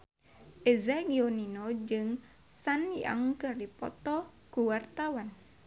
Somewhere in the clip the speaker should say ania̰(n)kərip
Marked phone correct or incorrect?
incorrect